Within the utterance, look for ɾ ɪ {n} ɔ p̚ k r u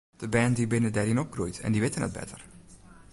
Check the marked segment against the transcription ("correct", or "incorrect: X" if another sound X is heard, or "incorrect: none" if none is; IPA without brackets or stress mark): correct